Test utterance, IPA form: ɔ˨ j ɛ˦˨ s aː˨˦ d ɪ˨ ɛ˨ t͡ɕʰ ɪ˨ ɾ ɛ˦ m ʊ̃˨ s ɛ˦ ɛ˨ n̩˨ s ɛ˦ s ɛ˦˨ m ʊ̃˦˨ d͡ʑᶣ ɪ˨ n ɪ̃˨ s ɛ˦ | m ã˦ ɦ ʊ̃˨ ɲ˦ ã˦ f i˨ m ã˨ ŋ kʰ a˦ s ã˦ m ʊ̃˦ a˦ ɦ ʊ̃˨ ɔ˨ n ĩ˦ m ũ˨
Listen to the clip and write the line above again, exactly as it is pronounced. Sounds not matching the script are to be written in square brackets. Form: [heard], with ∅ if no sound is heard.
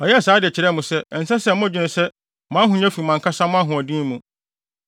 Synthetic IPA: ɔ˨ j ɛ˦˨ s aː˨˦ d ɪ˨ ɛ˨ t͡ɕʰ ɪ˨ ɾ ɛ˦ m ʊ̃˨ s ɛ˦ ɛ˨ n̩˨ s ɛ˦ s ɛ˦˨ m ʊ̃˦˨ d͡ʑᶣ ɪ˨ n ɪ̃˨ s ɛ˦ | m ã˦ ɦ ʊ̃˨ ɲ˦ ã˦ f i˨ m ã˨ ŋ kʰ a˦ s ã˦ m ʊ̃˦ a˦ ɦ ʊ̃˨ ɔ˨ [d] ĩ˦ m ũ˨